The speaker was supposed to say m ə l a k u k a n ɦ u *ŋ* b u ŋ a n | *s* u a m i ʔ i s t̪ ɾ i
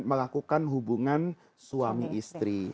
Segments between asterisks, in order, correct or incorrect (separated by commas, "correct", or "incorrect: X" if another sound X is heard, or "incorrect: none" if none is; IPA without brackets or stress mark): incorrect: none, correct